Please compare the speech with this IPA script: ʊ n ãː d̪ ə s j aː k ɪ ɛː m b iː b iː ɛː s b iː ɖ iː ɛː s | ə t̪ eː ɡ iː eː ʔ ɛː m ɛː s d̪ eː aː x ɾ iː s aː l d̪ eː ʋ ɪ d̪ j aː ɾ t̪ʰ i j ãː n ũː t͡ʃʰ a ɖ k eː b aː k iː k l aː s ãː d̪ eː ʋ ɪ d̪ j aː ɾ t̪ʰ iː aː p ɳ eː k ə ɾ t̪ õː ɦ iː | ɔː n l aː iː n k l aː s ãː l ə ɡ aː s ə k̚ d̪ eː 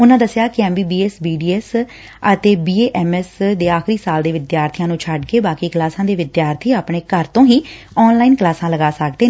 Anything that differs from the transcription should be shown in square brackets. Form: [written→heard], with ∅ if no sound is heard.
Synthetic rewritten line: ʊ n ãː d̪ ə s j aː k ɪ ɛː m b iː b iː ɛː s b iː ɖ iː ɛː s | ə t̪ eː [ɡ→b] iː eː ʔ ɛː m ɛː s d̪ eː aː x ɾ iː s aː l d̪ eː ʋ ɪ d̪ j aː ɾ t̪ʰ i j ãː n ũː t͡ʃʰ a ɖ k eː b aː k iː k l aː s ãː d̪ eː ʋ ɪ d̪ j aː ɾ t̪ʰ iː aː p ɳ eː k ə ɾ t̪ õː ɦ iː | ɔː n l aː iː n k l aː s ãː l ə ɡ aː s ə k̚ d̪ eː